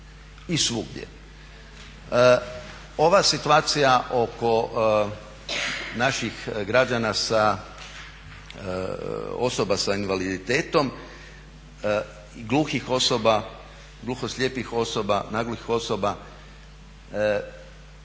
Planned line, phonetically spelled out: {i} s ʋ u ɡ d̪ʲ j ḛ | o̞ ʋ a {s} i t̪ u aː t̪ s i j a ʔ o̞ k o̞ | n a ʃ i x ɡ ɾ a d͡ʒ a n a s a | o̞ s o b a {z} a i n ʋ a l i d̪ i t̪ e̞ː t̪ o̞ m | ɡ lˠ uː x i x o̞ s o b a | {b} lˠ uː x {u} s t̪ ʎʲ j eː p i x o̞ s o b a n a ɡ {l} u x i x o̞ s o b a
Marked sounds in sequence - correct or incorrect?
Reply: correct, correct, incorrect, incorrect, incorrect, correct

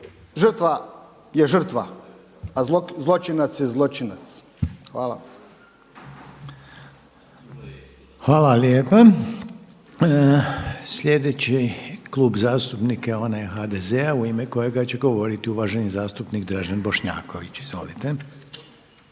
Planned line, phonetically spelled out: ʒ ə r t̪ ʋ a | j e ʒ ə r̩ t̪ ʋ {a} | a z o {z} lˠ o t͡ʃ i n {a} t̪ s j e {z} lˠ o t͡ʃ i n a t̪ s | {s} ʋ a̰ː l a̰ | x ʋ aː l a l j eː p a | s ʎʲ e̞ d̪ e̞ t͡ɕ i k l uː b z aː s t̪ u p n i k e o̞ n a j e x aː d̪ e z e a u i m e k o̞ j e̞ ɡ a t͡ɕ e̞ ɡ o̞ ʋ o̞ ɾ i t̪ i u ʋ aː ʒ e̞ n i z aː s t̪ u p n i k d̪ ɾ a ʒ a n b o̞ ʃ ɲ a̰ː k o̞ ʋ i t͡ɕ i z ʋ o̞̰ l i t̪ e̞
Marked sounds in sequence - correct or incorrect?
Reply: correct, correct, correct, correct, incorrect

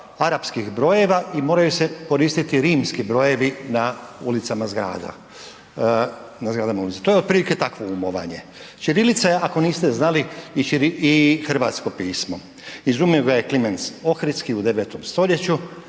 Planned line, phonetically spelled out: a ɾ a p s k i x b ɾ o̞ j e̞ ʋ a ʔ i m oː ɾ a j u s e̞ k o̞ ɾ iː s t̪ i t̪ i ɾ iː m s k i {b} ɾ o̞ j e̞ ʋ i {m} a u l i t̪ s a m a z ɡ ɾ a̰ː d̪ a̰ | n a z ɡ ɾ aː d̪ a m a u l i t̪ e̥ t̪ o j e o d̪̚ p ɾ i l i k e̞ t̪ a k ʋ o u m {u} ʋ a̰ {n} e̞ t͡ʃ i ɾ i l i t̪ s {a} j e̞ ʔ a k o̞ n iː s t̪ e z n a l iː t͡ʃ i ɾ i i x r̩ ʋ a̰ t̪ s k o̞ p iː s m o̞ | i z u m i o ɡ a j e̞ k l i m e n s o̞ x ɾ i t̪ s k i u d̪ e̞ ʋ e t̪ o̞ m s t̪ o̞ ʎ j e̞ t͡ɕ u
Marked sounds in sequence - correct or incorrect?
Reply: correct, incorrect, incorrect, incorrect, correct

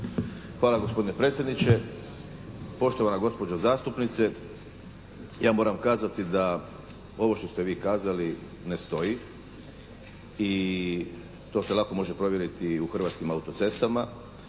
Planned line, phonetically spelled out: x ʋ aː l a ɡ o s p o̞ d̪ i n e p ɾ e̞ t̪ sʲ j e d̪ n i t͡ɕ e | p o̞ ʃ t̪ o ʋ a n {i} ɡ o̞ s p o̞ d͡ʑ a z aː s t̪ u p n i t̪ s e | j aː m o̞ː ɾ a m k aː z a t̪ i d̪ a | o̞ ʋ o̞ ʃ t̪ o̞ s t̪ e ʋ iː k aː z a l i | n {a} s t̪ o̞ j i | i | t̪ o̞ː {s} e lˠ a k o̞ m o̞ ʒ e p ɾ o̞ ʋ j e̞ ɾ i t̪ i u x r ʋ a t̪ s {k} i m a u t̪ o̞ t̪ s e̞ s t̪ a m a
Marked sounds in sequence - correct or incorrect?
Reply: incorrect, incorrect, correct, correct

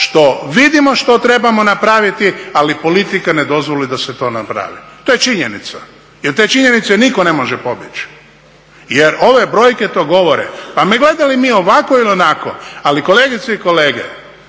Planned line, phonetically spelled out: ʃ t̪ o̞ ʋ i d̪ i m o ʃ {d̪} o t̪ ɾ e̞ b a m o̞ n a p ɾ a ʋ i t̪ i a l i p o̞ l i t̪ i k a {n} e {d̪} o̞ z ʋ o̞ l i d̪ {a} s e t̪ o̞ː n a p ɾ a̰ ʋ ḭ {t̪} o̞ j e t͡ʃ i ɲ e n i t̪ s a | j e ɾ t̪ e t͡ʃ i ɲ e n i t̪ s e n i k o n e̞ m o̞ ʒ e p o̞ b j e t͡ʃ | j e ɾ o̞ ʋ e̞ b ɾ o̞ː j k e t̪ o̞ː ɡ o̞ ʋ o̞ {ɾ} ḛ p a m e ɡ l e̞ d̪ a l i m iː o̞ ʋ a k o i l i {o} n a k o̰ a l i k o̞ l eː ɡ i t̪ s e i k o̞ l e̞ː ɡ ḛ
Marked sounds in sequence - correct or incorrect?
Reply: incorrect, correct, correct, correct, correct, correct, correct

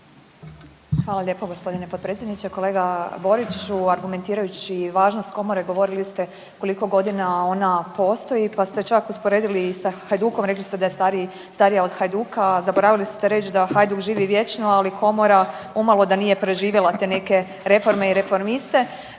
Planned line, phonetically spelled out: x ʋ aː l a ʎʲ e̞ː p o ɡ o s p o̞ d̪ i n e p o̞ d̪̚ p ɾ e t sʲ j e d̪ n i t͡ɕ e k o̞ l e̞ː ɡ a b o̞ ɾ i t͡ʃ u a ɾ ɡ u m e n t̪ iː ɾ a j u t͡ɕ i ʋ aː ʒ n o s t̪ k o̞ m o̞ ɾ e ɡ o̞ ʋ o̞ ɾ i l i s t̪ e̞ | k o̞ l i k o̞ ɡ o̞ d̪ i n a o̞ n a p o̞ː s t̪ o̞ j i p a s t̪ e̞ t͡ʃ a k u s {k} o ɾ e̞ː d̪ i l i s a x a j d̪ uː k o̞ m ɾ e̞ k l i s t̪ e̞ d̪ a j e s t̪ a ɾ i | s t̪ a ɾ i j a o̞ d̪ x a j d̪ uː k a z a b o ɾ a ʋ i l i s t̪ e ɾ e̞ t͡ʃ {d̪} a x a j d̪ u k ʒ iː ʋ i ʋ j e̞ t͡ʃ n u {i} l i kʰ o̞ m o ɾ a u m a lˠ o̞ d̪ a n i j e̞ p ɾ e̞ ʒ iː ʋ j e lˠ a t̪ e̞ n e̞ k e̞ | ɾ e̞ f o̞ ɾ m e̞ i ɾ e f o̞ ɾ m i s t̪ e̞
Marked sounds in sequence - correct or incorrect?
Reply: incorrect, correct, incorrect

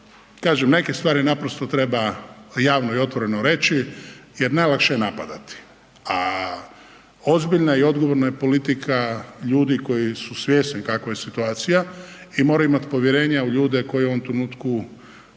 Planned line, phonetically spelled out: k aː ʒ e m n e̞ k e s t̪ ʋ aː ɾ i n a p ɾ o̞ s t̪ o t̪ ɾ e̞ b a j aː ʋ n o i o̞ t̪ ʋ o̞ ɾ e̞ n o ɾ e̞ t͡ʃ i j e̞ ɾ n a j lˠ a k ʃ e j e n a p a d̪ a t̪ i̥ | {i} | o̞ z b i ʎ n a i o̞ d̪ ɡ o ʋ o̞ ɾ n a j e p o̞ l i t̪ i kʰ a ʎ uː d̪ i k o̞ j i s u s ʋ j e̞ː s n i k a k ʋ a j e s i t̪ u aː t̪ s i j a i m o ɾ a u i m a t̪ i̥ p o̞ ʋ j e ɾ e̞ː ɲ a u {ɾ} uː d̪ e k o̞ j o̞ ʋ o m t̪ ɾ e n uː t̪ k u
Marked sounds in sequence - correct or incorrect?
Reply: incorrect, incorrect

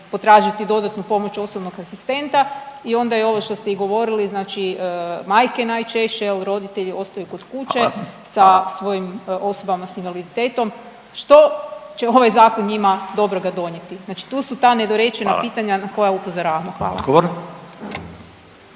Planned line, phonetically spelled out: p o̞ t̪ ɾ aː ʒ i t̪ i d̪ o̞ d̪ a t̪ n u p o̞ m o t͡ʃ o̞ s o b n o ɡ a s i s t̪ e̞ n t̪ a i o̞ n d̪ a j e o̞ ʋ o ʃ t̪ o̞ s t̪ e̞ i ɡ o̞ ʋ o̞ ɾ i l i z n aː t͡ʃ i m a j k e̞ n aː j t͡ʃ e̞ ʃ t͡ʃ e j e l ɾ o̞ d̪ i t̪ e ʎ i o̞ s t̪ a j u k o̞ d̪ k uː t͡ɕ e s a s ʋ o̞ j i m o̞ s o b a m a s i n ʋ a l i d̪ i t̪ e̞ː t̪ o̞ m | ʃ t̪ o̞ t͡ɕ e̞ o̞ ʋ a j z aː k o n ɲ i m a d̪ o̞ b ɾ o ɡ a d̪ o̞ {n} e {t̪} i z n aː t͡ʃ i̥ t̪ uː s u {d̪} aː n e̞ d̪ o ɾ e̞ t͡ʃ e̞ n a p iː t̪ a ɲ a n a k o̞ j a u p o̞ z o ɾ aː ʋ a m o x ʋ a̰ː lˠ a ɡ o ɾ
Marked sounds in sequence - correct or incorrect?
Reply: incorrect, correct, incorrect

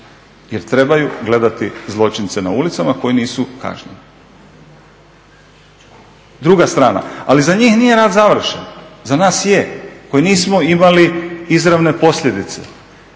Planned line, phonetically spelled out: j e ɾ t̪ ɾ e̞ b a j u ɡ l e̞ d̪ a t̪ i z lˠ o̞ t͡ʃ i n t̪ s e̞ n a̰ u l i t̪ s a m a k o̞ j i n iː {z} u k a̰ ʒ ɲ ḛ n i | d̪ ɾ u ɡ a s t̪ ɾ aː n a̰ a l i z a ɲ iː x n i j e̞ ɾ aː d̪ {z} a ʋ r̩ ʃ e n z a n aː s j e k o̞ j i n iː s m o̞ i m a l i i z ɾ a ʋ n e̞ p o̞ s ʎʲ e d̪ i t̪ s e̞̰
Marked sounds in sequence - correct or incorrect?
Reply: incorrect, correct

